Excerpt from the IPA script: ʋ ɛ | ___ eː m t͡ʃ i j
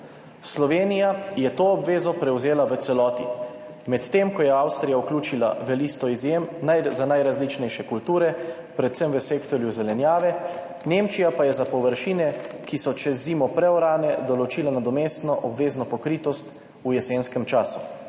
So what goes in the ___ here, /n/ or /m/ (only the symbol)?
n